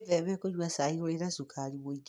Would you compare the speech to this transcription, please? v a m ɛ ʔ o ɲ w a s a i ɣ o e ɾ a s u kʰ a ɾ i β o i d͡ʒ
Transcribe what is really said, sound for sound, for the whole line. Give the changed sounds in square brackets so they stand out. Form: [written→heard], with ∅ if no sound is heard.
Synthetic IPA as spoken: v [a→ɛ] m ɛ [ʔ→k] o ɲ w a s a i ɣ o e ɾ a s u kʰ a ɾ i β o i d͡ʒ